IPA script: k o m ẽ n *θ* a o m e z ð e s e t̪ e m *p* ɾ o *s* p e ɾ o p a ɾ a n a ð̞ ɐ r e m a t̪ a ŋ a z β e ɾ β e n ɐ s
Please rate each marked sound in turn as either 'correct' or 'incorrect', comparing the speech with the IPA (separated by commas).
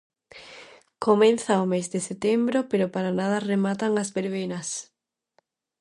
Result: correct, incorrect, incorrect